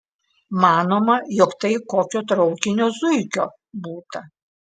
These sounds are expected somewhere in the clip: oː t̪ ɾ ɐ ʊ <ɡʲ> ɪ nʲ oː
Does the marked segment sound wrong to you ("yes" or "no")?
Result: yes